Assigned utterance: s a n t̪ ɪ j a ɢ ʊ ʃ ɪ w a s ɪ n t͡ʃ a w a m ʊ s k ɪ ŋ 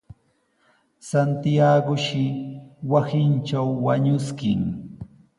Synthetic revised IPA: s a n t̪ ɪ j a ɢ ʊ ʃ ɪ w a s ɪ n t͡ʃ a wː a ɲ ʊ s k ɪ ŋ